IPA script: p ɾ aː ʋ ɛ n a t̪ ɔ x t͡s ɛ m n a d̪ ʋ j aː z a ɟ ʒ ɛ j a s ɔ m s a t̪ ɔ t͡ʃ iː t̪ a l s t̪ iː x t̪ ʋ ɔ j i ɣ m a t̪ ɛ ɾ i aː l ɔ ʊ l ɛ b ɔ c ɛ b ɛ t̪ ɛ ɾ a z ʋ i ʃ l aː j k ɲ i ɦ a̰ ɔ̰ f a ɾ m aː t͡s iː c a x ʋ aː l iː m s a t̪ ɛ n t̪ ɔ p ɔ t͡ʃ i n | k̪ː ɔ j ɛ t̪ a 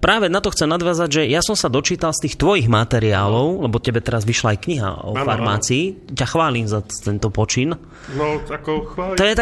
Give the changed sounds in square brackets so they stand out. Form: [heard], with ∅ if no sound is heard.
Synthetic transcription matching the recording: p ɾ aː ʋ ɛ n a t̪ ɔ x t͡s ɛ m n a d̪ ʋ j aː z a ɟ ʒ ɛ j a s ɔ m s a [d̪] ɔ t͡ʃ iː t̪ a l s t̪ iː x t̪ ʋ ɔ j i ɣ m a t̪ ɛ ɾ i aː l ɔ ʊ l ɛ b ɔ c ɛ b ɛ t̪ ɛ ɾ a z ʋ i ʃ l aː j k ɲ i ɦ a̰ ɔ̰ f a ɾ m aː t͡s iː c a x ʋ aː l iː m [z] a t̪ ɛ n t̪ ɔ p ɔ t͡ʃ i n | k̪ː ɔ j ɛ t̪ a